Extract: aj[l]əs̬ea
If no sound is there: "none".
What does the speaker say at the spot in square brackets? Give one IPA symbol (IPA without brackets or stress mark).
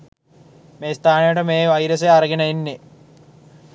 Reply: ɾ